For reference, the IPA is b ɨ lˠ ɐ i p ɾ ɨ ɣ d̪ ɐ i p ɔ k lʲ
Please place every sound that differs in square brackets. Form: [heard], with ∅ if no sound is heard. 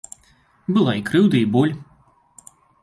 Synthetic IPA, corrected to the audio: b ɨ lˠ [a] i [k] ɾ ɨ [w] d̪ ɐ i [b] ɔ [∅] lʲ